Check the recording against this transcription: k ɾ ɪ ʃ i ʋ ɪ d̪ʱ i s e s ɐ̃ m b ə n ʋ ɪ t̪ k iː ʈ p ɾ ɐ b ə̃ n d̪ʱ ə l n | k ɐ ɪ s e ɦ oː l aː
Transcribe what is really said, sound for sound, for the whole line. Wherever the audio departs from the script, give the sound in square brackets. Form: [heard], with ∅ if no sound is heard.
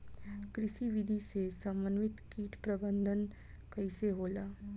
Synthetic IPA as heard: k ɾ ɪ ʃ i ʋ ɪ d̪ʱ i s e s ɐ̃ m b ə n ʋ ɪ t̪ k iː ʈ p ɾ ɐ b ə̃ n d̪ʱ ə [∅] n | k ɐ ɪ s e ɦ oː l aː